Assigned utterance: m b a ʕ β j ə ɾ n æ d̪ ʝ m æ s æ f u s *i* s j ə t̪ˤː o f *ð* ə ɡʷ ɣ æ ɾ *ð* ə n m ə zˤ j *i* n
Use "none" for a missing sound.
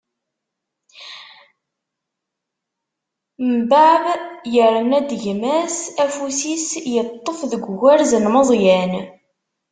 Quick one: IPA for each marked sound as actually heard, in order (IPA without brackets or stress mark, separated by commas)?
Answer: i, ð, z, æ